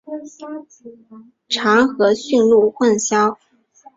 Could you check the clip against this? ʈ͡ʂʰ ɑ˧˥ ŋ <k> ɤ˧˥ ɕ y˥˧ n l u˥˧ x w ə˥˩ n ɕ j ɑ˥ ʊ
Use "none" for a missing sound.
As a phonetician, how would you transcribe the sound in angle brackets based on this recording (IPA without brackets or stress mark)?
x